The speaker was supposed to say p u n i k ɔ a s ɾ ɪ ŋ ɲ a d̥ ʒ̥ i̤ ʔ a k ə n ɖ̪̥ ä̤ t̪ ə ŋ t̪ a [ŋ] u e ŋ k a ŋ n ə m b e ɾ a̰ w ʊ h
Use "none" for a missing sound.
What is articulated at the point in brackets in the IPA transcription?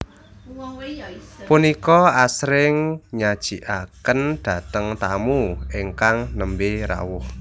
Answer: m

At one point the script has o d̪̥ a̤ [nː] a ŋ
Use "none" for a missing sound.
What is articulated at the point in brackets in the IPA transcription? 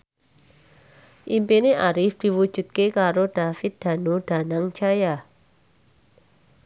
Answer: n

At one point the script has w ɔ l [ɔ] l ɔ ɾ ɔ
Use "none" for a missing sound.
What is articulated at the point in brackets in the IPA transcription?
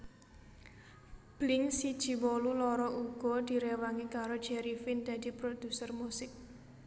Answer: u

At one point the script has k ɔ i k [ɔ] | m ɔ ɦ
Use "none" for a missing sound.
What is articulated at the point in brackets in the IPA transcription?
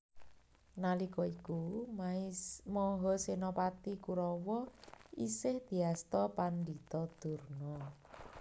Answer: u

